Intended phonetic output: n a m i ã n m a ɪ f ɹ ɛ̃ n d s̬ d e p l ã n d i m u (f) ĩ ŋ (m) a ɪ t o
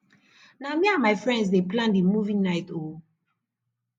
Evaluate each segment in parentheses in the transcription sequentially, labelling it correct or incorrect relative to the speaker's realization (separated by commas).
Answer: incorrect, incorrect